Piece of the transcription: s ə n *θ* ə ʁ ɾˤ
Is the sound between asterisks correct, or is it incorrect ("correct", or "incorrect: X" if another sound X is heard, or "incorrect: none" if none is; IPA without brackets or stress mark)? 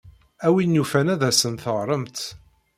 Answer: correct